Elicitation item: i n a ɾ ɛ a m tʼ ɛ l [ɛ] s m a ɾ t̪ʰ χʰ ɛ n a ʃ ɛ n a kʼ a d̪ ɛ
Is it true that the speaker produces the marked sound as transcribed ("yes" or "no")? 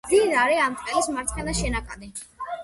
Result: no